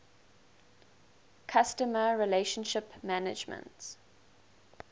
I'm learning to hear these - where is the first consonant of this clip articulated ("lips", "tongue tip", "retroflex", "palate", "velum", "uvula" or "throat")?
velum